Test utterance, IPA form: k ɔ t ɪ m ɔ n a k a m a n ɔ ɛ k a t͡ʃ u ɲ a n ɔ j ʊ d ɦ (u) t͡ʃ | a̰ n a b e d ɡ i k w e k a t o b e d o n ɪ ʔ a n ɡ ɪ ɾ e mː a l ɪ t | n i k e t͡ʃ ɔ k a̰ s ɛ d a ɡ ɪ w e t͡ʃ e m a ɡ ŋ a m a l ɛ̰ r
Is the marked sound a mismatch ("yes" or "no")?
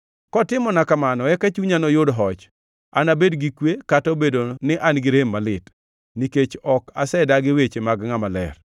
yes